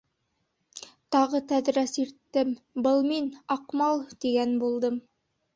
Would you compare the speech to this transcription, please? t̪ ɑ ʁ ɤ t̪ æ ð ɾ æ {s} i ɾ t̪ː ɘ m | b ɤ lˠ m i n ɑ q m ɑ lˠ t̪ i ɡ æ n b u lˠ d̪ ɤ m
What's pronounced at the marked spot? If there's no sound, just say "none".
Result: s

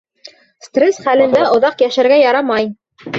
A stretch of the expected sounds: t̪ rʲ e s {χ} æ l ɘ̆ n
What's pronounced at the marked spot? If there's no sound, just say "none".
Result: χ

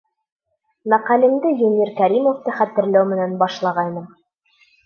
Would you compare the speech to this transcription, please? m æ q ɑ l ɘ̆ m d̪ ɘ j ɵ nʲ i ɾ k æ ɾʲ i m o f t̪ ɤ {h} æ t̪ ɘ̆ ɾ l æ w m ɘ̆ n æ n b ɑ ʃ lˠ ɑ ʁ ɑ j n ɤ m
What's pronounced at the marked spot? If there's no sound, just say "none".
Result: χ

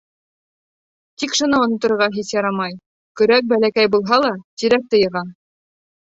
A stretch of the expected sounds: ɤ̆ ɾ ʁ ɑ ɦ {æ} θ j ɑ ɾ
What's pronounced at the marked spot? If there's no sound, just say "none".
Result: i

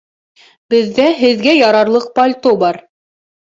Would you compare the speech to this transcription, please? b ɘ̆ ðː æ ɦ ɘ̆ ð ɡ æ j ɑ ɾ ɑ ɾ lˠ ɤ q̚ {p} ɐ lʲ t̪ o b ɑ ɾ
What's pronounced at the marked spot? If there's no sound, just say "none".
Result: p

